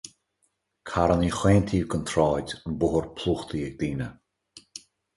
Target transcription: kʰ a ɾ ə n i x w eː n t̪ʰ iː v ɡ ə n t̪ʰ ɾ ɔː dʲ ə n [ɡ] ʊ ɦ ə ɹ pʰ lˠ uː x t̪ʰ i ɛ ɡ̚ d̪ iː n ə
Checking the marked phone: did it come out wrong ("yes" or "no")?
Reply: yes